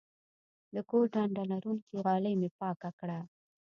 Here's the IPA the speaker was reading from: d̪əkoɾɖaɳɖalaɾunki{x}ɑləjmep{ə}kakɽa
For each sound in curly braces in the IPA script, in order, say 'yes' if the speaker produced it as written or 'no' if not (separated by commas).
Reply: no, no